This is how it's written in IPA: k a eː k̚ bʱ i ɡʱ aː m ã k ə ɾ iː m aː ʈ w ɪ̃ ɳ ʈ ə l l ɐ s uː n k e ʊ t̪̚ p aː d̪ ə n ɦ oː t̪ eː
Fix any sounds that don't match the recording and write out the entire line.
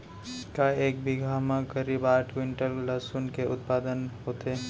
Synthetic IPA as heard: k a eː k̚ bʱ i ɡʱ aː m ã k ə ɾ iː b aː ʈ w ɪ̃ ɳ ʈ ə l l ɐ s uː n k e ʊ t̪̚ p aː d̪ ə n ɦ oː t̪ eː